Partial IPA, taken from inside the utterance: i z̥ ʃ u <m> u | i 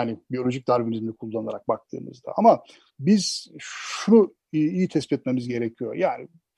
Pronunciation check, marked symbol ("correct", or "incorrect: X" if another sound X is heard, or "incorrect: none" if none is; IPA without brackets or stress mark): incorrect: n